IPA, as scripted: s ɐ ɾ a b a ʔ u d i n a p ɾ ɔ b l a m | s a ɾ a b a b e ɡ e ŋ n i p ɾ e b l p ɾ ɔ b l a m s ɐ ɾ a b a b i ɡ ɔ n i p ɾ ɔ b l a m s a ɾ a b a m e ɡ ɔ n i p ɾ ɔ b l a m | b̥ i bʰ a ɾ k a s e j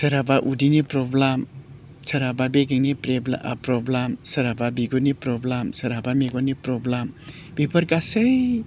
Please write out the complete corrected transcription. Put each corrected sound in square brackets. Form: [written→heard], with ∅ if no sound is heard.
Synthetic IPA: s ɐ ɾ a b a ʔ u d i n [a→i] p ɾ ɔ b l a m | s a ɾ a b a b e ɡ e ŋ n i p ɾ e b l p ɾ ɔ b l a m s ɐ ɾ a b a b i ɡ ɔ n i p ɾ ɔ b l a m s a ɾ a b a m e ɡ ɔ n i p ɾ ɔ b l a m | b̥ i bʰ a ɾ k a s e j